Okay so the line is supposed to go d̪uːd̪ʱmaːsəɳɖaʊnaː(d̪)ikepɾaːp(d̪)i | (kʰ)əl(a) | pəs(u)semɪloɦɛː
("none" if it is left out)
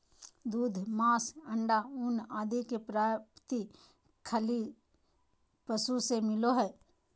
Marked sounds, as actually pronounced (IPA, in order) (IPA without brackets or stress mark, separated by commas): d̪, t̪, kʰ, i, u